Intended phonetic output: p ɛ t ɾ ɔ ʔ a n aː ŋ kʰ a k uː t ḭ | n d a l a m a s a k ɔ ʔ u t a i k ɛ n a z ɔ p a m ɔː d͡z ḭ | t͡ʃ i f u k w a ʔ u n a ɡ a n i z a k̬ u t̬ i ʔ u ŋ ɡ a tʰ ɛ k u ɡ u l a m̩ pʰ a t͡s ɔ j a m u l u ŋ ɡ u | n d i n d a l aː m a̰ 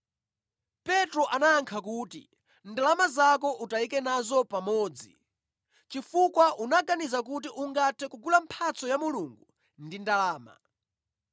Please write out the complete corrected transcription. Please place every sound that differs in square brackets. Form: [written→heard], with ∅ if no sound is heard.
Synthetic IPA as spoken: p ɛ t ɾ ɔ ʔ a n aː ŋ kʰ a k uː t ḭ | n d a l a m a [s→z] a k ɔ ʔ u t a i k ɛ n a z ɔ p a m ɔː d͡z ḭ | t͡ʃ i f u k w a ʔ u n a ɡ a n i z a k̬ u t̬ i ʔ u ŋ ɡ a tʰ ɛ k u ɡ u l a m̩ pʰ a t͡s ɔ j a m u l u ŋ ɡ u | n d i n d a l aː m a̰